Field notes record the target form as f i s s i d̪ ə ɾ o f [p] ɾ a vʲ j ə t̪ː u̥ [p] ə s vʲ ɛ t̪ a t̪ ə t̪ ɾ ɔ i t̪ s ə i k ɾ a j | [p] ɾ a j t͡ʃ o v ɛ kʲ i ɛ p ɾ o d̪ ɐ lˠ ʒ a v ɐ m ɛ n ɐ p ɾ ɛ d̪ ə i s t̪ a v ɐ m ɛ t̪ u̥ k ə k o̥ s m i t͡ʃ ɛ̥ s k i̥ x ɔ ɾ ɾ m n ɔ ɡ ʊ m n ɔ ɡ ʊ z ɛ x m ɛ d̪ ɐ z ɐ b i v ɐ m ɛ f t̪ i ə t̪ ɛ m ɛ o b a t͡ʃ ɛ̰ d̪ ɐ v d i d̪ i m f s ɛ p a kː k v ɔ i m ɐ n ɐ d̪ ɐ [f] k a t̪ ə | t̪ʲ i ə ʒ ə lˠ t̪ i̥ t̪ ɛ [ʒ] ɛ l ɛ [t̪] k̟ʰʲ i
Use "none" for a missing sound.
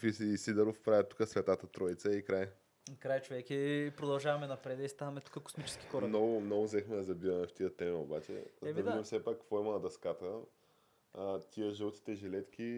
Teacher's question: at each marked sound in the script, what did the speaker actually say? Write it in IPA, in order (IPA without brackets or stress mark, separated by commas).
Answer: p, k, k, s, ʒ, t̪